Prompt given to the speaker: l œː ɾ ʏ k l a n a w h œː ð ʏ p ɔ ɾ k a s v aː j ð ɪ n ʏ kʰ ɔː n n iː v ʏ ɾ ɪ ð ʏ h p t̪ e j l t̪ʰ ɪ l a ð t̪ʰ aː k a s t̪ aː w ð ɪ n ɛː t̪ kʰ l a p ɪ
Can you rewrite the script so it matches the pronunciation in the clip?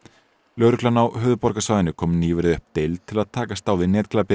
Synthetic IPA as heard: l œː ɾ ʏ k l a n a w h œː ð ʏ p ɔ ɾ k a s v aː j ð ɪ n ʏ kʰ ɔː m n iː v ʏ ɾ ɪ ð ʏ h p t̪ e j l t̪ʰ ɪ l a ð t̪ʰ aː k a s t̪ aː w ð ɪ n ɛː t̪ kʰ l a p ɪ